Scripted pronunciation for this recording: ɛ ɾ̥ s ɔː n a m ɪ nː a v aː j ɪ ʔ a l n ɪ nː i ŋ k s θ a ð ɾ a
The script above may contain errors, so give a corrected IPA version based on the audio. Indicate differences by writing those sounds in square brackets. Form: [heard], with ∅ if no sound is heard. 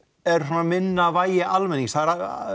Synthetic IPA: ɛ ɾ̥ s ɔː n a m ɪ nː a v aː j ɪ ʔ a l [m] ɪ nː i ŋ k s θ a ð ɾ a